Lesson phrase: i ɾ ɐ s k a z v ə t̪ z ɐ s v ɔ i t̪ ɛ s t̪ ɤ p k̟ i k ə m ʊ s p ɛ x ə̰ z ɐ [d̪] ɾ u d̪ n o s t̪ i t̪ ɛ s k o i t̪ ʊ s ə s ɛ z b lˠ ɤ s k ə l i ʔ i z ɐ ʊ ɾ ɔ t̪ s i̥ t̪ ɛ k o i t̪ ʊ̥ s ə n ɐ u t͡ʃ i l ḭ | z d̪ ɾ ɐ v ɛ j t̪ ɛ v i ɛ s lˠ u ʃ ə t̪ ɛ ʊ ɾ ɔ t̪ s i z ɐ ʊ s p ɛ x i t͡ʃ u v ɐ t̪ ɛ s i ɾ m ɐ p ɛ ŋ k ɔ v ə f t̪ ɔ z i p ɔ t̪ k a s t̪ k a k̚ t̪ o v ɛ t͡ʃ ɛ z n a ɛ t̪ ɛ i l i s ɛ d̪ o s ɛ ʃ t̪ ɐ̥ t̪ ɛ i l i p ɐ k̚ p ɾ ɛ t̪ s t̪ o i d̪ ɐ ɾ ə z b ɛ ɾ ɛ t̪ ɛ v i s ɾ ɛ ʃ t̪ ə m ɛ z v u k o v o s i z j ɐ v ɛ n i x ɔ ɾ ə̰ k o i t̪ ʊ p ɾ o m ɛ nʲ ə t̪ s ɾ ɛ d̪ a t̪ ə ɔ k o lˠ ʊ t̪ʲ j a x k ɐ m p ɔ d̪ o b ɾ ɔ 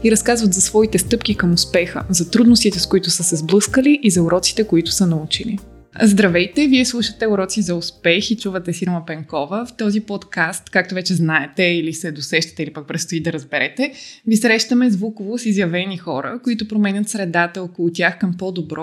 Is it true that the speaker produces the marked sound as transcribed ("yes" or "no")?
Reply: no